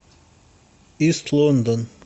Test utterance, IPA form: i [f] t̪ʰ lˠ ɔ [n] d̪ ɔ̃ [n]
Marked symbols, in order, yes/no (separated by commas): no, yes, yes